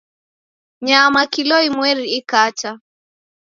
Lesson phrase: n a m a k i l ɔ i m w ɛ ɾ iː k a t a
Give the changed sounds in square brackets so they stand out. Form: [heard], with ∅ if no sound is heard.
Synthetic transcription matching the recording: [ɲ] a m a k i l ɔ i m w ɛ ɾ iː k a [t͡ʃ] a